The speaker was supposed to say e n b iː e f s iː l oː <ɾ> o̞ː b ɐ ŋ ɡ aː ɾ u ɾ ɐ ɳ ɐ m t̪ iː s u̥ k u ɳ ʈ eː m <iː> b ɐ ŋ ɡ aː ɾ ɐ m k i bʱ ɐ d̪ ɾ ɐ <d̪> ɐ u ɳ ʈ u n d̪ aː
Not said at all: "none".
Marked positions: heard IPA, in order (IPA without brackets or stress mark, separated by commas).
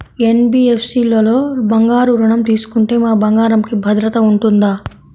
l, aː, t̪